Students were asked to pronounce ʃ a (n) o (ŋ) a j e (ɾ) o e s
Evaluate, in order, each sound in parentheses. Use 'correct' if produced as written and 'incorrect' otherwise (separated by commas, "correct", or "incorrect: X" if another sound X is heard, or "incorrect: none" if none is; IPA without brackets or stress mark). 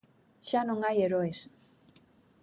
correct, correct, correct